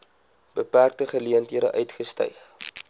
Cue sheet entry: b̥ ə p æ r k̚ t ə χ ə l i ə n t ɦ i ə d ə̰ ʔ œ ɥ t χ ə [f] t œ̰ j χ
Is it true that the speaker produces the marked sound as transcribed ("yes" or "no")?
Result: no